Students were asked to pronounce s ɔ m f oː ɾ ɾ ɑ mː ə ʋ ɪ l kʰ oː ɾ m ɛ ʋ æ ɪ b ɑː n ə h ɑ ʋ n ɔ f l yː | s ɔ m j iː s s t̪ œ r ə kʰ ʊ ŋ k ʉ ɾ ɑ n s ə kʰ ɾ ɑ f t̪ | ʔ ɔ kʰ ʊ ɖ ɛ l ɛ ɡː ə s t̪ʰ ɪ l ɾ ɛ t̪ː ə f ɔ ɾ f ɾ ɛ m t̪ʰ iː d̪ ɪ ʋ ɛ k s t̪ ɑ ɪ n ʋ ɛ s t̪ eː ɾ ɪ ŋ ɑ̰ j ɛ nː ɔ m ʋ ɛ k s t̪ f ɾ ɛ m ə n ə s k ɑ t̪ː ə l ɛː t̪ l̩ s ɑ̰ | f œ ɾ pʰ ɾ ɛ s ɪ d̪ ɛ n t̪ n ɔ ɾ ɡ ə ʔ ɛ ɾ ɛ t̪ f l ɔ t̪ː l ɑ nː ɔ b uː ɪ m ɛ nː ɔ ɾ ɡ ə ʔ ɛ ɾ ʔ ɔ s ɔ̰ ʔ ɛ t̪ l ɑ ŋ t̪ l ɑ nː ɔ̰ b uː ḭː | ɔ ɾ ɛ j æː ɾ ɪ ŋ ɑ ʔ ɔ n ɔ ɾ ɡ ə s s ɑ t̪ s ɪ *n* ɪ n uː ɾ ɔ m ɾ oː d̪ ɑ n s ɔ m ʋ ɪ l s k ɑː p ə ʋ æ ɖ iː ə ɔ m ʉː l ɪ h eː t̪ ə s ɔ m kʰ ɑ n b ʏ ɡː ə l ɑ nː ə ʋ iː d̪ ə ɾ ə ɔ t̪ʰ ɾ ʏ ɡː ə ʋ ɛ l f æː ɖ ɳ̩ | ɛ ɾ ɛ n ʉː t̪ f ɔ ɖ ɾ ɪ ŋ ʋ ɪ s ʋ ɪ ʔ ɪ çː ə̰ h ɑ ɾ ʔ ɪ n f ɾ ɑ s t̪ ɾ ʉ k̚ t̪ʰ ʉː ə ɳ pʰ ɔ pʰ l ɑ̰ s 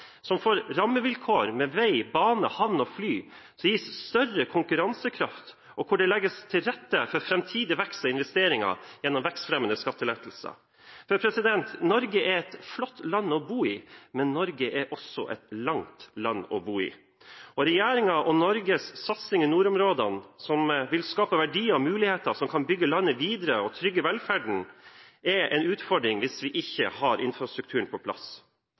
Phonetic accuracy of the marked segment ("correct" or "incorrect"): incorrect